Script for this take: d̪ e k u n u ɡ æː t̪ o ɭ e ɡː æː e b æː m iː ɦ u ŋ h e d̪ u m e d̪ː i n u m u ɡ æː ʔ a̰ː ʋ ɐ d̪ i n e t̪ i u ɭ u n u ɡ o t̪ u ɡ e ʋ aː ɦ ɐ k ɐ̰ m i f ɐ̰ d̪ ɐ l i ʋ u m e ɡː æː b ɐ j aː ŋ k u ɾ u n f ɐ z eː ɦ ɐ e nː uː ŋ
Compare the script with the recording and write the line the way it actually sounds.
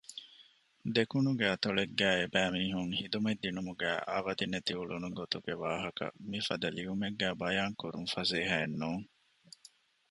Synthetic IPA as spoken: d̪ e k u n u ɡ æː t̪ o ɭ e ɡː æː e b æː m iː ɦ u ŋ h i d̪ u m e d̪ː i n u m u ɡ æː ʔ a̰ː ʋ ɐ d̪ i n e t̪ i u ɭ u n u ɡ o t̪ u ɡ e ʋ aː ɦ ɐ k ɐ̰ m i f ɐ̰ d̪ ɐ l i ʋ u m e ɡː æː b ɐ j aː ŋ k u ɾ u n f ɐ z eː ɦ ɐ e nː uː ŋ